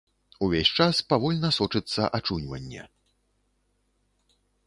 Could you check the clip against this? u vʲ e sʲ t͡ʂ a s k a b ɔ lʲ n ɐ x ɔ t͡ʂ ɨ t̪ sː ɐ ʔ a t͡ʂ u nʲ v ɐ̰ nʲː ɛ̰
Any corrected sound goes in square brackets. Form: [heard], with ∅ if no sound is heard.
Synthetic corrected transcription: u vʲ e sʲ t͡ʂ a s [p] a [v] ɔ lʲ n ɐ [s] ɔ t͡ʂ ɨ t̪ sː ɐ ʔ a t͡ʂ u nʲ v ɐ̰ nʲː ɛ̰